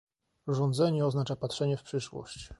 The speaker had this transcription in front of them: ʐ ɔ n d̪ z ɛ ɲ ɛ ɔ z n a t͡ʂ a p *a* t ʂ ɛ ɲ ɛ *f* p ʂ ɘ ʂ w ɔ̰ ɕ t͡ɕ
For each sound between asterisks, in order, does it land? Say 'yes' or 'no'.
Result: yes, yes

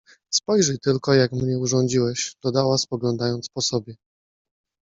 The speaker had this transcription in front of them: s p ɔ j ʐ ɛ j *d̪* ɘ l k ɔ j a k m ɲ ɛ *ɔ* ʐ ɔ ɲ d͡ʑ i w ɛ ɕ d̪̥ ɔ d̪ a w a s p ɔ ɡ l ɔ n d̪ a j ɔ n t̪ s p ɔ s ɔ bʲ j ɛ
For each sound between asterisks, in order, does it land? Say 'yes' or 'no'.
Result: no, no

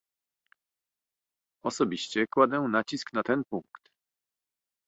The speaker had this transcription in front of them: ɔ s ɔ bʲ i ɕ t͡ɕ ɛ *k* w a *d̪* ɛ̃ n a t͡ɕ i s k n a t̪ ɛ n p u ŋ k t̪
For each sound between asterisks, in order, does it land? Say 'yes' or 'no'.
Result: yes, yes

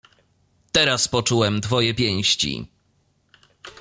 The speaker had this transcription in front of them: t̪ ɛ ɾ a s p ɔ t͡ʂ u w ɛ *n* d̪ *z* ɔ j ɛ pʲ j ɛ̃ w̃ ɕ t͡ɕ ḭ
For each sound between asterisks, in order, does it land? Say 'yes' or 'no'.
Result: no, no

